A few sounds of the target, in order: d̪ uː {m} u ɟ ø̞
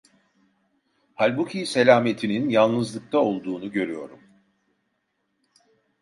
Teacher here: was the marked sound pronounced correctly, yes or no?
no